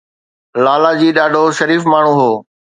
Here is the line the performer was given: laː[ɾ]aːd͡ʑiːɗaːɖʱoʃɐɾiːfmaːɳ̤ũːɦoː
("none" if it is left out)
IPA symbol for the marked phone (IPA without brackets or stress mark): l